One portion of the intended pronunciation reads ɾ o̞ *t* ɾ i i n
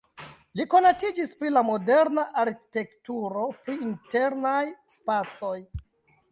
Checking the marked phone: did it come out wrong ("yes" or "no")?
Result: yes